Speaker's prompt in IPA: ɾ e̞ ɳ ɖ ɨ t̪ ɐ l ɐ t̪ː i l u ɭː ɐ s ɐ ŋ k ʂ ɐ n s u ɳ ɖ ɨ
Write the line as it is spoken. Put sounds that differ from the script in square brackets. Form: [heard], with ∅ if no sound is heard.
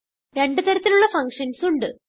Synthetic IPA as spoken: ɾ e̞ ɳ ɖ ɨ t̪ ɐ [ɾ] ɐ t̪ː i l u ɭː ɐ [f] ɐ ŋ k ʂ ɐ n s u ɳ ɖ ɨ